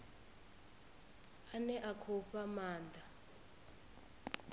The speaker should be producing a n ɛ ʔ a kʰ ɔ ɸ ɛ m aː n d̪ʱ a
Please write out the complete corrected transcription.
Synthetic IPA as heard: a n ɛ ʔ a kʰ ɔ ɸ a m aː n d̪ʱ a